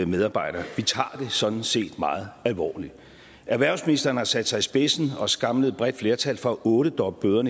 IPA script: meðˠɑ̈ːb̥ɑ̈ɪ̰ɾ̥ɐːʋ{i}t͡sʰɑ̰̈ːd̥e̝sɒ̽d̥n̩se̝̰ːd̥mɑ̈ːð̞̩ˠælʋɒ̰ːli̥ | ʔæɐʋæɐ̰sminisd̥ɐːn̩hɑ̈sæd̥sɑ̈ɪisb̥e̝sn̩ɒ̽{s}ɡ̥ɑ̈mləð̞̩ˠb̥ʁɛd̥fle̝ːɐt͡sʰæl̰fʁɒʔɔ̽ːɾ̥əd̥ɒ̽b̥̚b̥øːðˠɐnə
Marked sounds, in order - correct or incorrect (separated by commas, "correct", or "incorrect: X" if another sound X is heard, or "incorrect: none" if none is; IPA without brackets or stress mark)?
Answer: correct, correct